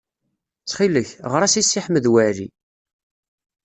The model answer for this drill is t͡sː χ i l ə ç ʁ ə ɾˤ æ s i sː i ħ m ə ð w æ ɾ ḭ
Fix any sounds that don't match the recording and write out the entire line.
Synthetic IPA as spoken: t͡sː χ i l ə ç ʁ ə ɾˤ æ s i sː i ħ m ə ð w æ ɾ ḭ